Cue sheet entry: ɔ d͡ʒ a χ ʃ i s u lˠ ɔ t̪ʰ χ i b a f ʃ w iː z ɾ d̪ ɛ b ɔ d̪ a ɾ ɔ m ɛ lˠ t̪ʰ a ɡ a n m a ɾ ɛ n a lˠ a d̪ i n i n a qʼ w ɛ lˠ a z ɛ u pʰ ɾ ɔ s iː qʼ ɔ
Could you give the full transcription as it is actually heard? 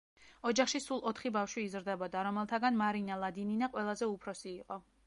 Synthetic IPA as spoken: ɔ d͡ʒ a χ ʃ i s u lˠ ɔ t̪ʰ χ i b a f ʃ w iː z ɾ d̪ ɛ b ɔ d̪ a ɾ ɔ m ɛ lˠ t̪ʰ a ɡ a n m a ɾ i n a lˠ a d̪ i n i n a qʼ w ɛ lˠ a z ɛ u pʰ ɾ ɔ s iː qʼ ɔ